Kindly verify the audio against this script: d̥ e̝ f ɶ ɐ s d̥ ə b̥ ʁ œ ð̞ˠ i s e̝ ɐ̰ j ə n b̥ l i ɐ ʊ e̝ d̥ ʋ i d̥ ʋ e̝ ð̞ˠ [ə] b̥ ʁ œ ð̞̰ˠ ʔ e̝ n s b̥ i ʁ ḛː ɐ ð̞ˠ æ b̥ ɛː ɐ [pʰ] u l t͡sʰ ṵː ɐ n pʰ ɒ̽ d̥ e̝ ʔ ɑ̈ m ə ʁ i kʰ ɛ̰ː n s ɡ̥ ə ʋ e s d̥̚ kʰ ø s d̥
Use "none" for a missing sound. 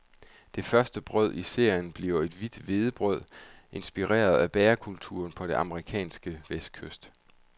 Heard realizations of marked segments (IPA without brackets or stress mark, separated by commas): ə, kʰ